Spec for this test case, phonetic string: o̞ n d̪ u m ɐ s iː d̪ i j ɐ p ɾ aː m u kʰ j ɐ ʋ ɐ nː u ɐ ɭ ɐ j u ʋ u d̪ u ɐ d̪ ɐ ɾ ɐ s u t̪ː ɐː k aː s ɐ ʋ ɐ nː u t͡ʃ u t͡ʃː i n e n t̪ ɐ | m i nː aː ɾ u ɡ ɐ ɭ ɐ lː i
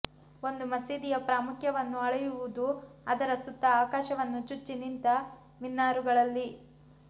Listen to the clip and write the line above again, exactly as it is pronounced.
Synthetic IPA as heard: o̞ n d̪ u m ɐ s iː d̪ i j ɐ p ɾ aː m u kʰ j ɐ ʋ ɐ nː u ɐ ɭ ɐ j u ʋ u d̪ u ɐ d̪ ɐ ɾ ɐ s u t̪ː ɐː k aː ʃ ɐ ʋ ɐ nː u t͡ʃ u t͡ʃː i n i n t̪ ɐ | m i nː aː ɾ u ɡ ɐ ɭ ɐ lː i